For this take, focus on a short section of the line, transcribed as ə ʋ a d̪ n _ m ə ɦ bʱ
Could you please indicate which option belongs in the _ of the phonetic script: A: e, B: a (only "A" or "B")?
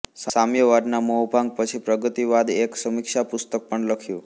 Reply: B